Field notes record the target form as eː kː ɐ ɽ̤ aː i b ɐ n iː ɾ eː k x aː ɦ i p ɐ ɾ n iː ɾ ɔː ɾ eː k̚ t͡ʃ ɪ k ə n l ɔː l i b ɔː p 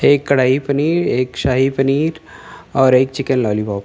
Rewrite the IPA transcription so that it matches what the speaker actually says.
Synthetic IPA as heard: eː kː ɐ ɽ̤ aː i p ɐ n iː ɾ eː k ʃ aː ɦ i p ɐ n iː ɾ ɔː ɾ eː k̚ t͡ʃ ɪ k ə n l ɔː l i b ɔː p